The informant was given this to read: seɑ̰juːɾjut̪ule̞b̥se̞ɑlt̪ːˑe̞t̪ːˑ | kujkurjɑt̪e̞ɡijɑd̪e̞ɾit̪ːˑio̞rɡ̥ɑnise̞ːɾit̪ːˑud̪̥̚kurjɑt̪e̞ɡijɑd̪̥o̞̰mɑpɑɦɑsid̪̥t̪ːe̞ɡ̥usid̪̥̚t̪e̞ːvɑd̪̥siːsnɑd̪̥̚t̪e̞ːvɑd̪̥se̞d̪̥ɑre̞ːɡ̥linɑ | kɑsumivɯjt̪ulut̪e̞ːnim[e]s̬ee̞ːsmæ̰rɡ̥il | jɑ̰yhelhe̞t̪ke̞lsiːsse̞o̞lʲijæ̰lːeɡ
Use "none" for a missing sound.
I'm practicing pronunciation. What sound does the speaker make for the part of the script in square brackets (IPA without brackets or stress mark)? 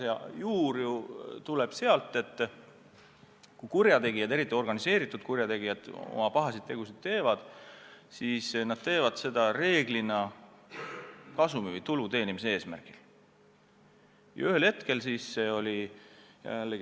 i